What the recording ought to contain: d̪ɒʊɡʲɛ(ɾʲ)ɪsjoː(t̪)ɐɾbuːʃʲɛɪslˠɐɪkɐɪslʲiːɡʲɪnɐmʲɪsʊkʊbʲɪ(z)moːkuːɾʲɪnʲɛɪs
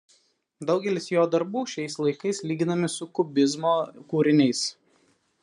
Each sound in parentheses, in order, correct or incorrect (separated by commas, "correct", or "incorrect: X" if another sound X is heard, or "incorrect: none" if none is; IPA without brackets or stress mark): incorrect: lʲ, incorrect: d̪, correct